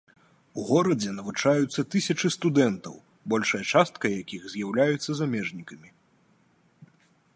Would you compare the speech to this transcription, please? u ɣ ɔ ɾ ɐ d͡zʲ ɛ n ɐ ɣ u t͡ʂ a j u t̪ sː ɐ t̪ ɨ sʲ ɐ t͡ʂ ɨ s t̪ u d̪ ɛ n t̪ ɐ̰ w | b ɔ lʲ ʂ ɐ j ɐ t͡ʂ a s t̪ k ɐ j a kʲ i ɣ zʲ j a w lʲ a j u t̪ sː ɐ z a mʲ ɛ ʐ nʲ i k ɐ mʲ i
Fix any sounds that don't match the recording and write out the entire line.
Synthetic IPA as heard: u ɣ ɔ ɾ ɐ d͡zʲ ɛ n ɐ v u t͡ʂ a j u t̪ sː ɐ t̪ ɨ sʲ ɐ t͡ʂ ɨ s t̪ u d̪ ɛ n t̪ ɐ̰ w | b ɔ lʲ ʂ ɐ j ɐ t͡ʂ a s t̪ k ɐ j a kʲ i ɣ zʲ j a w lʲ a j u t̪ sː ɐ z a mʲ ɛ ʐ nʲ i k ɐ mʲ i